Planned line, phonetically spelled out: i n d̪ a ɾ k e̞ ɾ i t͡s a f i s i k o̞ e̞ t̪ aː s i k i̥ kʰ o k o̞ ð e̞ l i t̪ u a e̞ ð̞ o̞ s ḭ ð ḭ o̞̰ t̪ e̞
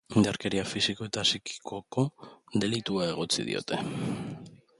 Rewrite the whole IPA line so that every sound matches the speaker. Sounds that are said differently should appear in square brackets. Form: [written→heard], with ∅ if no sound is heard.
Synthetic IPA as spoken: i n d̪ a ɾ k e̞ ɾ i [t͡s→∅] a f i s i k o̞ e̞ t̪ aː s i k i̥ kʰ o k o̞ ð e̞ l i t̪ u a e̞ [ð̞→ɣ̞] o̞ [s→t͡s] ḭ ð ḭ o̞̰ t̪ e̞